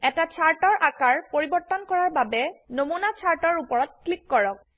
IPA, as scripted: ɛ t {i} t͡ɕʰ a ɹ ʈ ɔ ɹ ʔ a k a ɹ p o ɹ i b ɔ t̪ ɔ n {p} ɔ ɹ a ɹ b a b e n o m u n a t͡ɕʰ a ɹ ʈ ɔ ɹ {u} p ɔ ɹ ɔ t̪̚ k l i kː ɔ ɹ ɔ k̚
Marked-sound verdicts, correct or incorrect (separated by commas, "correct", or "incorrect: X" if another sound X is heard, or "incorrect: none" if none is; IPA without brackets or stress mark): incorrect: a, incorrect: k, correct